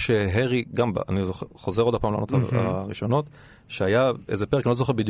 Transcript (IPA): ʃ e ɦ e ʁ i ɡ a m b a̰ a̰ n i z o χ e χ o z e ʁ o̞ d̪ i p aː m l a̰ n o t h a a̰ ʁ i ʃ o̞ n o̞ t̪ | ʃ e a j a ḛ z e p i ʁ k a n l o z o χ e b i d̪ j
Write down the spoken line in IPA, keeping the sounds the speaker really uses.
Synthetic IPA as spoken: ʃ e ɦ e ʁ i ɡ a m b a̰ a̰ n i z o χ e χ o z e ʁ o̞ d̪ a p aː m l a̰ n o t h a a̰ ʁ i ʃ o̞ n o̞ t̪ | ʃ e a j a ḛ z e p e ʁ k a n l o z o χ e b i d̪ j